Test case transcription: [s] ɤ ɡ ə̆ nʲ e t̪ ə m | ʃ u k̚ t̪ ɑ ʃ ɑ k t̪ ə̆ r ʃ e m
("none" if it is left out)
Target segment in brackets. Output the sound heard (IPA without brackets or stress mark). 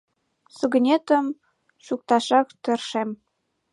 s